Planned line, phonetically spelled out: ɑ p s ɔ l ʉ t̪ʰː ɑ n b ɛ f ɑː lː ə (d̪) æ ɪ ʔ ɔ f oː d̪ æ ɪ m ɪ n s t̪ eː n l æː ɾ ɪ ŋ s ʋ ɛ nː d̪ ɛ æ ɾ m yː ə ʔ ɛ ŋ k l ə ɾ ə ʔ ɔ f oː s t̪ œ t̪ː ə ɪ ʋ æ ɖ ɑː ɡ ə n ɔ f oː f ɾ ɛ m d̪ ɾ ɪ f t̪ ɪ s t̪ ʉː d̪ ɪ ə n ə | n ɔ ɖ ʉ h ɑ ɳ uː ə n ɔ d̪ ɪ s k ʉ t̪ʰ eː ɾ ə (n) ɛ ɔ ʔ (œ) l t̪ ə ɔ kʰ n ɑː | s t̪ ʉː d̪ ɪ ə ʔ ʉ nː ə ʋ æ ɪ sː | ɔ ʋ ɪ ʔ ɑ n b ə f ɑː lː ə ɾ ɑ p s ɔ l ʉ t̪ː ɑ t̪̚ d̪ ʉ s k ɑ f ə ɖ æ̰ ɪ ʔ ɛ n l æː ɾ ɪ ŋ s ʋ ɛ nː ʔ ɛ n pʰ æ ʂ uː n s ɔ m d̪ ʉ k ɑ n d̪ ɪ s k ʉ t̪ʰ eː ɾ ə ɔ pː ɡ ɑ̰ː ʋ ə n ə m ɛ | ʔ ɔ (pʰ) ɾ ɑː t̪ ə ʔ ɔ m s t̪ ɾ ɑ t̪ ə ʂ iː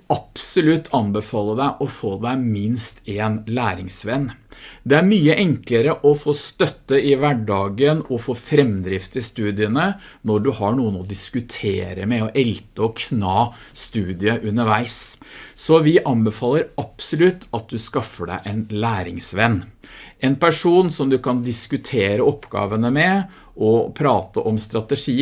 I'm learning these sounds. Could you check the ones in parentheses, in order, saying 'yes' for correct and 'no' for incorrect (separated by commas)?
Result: yes, no, no, yes